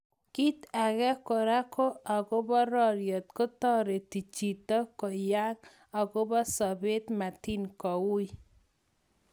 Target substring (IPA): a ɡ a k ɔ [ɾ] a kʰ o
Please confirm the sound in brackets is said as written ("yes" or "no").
yes